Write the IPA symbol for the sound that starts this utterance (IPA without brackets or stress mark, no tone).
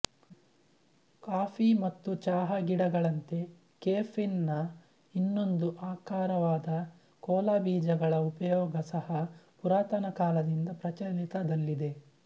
k